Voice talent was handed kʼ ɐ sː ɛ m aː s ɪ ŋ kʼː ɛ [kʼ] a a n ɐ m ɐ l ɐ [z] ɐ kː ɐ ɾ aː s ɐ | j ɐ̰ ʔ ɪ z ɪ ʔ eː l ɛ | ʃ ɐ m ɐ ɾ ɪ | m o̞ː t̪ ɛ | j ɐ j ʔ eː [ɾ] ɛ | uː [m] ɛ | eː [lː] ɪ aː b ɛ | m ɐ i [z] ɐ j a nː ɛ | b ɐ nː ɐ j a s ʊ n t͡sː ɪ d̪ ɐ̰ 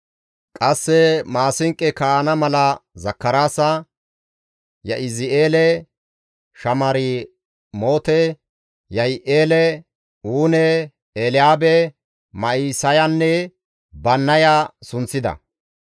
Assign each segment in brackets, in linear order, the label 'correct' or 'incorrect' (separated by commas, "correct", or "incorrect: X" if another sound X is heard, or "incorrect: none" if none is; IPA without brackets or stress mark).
incorrect: k, correct, incorrect: l, incorrect: n, incorrect: l, incorrect: s